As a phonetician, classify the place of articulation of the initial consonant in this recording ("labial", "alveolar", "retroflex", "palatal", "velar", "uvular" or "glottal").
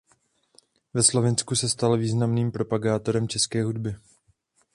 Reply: labial